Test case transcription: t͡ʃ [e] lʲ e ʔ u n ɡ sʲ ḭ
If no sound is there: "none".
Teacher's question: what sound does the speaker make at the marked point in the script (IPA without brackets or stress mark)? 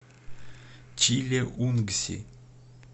i